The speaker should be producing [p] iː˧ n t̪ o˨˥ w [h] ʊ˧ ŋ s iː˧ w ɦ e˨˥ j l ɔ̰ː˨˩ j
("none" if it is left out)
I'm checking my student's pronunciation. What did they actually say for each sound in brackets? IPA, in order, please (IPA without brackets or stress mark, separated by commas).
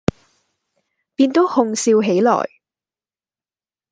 p, h